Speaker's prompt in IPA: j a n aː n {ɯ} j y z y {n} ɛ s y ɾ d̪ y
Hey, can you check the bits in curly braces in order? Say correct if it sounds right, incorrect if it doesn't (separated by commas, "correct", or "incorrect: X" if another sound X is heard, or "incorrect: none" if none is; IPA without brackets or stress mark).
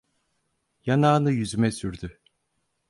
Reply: correct, incorrect: m